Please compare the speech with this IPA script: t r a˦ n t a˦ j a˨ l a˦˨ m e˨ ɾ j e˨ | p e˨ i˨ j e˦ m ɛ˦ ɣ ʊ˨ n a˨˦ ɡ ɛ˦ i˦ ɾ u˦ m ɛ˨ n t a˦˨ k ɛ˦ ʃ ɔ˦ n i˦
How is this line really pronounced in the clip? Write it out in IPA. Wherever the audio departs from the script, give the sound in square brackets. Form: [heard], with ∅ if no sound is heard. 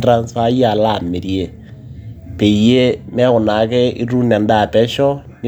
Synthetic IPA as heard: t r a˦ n [s] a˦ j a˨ l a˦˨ m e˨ ɾ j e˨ | p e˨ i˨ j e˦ m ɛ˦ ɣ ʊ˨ n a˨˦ [k] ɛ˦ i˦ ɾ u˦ [n] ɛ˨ n [d] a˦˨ [p] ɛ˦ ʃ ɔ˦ n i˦